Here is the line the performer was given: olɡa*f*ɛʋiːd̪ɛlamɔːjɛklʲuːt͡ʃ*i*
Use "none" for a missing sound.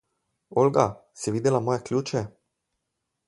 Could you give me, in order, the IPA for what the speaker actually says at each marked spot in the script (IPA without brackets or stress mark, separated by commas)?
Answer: s, ɛ